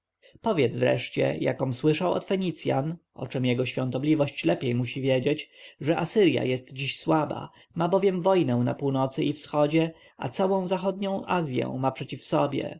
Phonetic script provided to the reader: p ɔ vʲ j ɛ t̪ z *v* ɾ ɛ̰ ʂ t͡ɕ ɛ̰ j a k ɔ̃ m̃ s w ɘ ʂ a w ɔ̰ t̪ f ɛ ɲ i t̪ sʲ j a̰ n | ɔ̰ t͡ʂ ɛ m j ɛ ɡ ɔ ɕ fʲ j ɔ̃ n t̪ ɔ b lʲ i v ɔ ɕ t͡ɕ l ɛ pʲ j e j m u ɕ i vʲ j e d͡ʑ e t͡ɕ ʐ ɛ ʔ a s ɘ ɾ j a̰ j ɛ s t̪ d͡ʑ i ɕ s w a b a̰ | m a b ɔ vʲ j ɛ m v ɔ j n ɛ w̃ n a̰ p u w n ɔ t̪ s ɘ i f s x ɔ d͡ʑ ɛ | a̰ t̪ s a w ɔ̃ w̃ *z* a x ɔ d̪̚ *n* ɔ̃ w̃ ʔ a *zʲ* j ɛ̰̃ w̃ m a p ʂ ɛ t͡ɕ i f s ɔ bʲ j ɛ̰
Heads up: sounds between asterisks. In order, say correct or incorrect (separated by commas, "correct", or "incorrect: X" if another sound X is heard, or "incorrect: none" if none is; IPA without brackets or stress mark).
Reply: correct, correct, incorrect: ɲ, correct